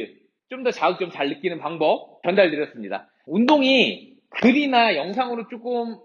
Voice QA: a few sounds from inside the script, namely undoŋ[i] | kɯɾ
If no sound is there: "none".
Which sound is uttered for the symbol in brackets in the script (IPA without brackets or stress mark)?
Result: i